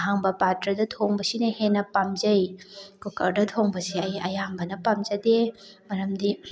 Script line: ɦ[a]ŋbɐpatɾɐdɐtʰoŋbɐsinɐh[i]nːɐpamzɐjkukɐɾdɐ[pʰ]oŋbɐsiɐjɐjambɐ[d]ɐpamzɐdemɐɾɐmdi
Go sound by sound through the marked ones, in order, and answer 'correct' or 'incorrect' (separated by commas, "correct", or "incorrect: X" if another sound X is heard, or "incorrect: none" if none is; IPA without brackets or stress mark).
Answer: correct, incorrect: e, incorrect: tʰ, incorrect: n